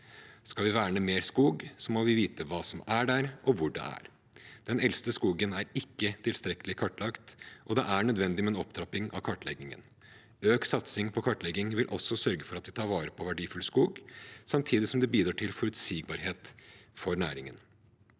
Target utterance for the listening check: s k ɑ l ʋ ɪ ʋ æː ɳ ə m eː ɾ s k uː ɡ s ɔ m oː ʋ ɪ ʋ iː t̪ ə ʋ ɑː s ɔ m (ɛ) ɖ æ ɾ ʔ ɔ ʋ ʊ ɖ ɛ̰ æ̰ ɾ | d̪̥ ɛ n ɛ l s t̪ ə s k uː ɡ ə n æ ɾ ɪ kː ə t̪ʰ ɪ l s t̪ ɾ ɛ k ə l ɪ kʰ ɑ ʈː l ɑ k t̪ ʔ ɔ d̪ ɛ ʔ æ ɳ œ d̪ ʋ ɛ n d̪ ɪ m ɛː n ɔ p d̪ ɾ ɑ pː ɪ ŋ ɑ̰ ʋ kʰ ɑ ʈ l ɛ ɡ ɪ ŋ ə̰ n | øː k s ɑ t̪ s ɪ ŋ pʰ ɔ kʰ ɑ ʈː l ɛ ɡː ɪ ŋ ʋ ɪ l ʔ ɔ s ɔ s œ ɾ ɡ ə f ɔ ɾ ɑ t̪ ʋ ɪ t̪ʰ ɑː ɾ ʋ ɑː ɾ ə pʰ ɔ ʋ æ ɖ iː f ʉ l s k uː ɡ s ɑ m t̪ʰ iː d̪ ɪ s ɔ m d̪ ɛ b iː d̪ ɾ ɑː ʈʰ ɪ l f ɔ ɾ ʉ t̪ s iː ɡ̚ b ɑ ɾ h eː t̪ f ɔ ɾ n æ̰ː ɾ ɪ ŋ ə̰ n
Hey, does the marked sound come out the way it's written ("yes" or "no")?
no